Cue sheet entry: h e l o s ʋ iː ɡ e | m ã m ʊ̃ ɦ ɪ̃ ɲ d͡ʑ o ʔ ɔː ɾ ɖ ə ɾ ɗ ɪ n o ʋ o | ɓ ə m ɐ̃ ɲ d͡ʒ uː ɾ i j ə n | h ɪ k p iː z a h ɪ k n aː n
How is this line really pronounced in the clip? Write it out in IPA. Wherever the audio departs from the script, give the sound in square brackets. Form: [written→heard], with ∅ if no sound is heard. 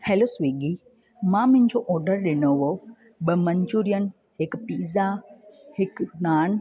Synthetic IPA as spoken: h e l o s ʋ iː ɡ [e→i] | m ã m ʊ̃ ɦ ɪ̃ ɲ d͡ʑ o ʔ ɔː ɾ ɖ ə ɾ ɗ ɪ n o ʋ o | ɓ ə m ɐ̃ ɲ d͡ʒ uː ɾ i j ə n | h ɪ k p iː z a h ɪ k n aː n